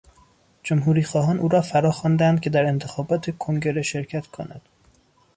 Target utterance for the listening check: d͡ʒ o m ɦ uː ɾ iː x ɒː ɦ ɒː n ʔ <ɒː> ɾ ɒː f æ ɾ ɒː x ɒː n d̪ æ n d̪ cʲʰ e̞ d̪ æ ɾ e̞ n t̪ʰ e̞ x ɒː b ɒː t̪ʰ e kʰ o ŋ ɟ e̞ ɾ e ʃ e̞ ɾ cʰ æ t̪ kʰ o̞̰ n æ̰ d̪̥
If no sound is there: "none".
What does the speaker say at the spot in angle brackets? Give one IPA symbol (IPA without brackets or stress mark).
uː